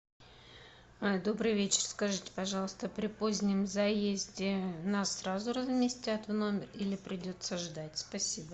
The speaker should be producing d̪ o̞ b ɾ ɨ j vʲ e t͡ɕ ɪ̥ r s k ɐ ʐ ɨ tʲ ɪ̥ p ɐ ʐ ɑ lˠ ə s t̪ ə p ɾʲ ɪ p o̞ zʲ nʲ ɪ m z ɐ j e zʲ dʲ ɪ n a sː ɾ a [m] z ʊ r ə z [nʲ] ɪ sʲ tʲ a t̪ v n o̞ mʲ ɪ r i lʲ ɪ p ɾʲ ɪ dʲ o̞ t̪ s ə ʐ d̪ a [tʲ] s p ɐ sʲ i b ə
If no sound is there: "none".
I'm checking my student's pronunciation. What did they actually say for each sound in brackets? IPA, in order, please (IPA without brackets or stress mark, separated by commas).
none, mʲ, tʲ